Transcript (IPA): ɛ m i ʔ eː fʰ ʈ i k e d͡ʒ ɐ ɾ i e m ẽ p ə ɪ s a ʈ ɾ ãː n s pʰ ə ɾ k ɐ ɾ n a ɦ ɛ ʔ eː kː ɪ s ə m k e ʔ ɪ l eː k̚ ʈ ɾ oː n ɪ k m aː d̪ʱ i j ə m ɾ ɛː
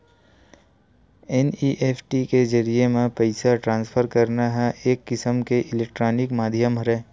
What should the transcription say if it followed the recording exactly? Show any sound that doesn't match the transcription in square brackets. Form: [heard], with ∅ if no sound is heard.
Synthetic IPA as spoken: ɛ [n] i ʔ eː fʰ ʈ i k e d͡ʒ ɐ ɾ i e m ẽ p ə ɪ s a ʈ ɾ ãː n s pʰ ə ɾ k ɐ ɾ n a ɦ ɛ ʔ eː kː ɪ s ə m k e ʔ ɪ l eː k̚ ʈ ɾ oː n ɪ k m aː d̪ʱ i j ə m ɾ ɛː